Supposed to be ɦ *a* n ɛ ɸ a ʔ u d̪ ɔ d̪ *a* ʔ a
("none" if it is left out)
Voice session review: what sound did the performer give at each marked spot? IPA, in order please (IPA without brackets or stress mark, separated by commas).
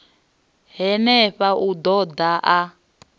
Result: ɛ, a